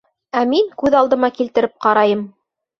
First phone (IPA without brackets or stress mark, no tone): æ